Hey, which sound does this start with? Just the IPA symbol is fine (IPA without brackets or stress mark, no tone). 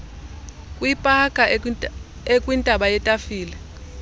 kʼ